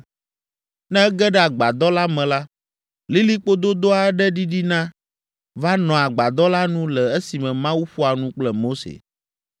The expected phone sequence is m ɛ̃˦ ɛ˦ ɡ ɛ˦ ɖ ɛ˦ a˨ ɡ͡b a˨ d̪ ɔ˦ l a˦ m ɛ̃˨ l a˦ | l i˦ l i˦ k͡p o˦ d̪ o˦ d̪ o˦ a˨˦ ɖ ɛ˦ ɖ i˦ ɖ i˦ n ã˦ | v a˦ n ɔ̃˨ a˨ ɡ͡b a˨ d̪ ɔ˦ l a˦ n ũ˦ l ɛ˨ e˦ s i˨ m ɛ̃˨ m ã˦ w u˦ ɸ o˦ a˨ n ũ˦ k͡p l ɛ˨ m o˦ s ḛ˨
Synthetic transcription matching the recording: n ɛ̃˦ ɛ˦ ɡ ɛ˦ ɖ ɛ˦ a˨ ɡ͡b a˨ d̪ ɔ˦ l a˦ m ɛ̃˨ l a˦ | l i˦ l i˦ k͡p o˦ d̪ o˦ d̪ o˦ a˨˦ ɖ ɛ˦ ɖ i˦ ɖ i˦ n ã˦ | v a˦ n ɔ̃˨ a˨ ɡ͡b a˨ d̪ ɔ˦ l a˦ n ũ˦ l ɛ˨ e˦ s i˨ m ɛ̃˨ m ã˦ w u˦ ɸ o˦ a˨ n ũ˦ k͡p l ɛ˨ m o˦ s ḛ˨